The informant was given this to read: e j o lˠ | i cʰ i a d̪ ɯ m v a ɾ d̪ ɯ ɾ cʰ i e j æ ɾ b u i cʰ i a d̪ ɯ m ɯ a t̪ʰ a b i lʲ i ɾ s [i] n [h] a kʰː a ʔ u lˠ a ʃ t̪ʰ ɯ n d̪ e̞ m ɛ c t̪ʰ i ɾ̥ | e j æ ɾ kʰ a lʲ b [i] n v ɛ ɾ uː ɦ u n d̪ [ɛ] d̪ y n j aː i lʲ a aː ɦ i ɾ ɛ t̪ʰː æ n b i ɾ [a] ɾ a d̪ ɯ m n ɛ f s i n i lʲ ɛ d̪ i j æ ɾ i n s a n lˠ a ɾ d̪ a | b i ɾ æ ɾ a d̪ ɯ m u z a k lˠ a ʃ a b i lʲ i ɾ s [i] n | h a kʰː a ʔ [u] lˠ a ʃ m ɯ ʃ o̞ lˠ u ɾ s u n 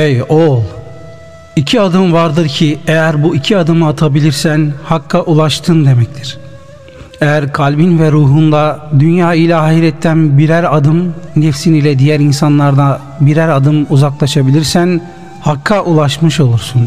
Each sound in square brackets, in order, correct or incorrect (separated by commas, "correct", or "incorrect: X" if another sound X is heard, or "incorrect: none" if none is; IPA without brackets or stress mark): incorrect: æ, correct, correct, incorrect: a, incorrect: æ, incorrect: æ, correct